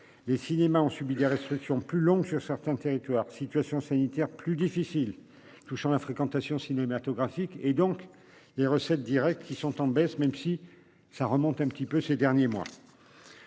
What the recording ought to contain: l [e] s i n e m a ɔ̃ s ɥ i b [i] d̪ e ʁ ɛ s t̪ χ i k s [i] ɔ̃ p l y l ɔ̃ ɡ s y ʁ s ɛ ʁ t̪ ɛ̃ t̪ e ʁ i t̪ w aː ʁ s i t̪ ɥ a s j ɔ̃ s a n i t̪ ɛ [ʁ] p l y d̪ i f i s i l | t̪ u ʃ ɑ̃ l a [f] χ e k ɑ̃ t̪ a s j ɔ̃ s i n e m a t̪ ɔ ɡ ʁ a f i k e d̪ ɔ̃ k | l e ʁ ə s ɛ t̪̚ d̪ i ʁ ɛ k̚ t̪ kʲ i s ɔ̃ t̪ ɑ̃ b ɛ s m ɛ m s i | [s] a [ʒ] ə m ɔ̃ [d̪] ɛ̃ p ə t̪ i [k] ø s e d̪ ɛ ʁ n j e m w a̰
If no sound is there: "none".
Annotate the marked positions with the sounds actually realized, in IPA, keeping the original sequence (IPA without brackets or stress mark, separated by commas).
e, i, j, ʁ, f, s, ʁ, t̪, p